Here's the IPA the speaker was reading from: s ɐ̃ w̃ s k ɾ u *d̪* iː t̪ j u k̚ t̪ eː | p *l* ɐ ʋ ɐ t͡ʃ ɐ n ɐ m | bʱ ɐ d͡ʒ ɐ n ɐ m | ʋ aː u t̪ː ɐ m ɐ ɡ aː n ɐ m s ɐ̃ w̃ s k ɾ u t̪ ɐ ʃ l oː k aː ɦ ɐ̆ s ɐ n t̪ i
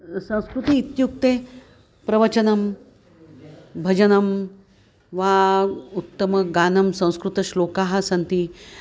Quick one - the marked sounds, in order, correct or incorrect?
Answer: incorrect: t̪, incorrect: ɾ

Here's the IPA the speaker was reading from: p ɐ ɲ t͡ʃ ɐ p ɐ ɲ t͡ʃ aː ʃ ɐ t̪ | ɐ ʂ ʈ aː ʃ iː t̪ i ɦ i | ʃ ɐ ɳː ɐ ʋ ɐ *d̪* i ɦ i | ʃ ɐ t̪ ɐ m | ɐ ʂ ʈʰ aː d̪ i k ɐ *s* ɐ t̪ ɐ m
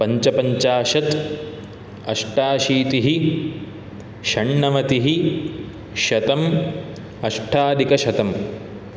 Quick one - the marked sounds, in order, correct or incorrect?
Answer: incorrect: t̪, incorrect: ʃ

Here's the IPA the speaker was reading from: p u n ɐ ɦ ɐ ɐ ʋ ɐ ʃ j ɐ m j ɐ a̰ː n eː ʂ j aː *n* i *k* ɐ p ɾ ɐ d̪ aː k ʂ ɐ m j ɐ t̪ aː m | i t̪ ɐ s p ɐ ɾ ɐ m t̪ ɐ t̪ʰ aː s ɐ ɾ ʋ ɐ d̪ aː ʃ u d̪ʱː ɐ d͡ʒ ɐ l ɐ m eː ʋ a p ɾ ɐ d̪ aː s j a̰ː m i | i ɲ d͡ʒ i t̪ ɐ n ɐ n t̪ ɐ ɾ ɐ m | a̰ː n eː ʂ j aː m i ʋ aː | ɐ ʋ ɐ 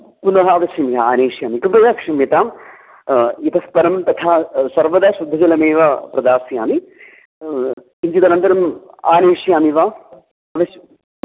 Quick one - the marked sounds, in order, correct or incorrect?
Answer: incorrect: m, correct

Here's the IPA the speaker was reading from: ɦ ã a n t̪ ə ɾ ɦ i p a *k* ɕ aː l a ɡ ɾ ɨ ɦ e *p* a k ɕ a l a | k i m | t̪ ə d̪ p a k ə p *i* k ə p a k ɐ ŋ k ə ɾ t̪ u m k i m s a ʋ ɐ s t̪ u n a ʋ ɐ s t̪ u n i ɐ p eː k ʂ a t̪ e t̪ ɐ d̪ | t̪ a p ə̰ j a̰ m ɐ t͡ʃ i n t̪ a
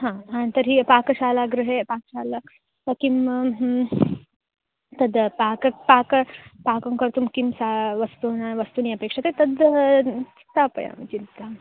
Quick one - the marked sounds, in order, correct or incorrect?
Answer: correct, correct, incorrect: a

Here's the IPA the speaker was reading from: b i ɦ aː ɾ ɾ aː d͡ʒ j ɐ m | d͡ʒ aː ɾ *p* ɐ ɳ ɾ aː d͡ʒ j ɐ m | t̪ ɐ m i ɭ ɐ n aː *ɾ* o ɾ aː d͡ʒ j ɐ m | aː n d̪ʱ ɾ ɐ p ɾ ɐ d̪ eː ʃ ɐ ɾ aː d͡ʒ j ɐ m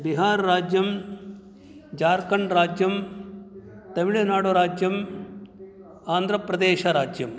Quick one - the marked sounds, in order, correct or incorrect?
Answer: incorrect: k, incorrect: ɽ

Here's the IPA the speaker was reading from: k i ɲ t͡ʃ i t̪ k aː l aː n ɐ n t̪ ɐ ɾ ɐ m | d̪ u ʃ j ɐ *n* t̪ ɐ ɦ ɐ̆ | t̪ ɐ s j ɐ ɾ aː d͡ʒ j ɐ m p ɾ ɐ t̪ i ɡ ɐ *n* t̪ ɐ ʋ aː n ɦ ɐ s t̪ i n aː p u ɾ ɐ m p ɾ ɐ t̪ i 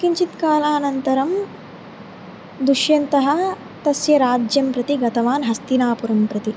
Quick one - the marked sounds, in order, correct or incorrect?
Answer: correct, incorrect: none

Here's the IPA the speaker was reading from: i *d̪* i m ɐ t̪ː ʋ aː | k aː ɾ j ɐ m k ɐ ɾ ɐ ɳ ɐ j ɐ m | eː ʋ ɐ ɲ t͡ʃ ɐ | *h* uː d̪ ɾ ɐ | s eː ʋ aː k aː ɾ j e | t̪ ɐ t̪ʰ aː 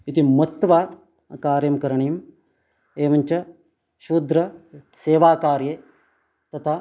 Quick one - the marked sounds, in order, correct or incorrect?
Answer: incorrect: t̪, incorrect: ʃ

